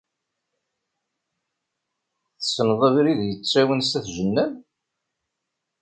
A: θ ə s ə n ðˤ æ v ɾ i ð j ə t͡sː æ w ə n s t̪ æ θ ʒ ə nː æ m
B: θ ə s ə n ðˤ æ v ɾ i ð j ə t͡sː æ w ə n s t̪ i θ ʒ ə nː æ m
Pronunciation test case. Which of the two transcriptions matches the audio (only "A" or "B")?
A